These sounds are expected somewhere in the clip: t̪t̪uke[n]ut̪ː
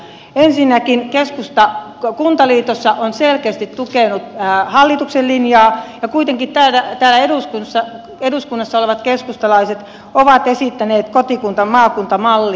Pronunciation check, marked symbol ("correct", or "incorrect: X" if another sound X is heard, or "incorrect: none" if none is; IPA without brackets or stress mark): correct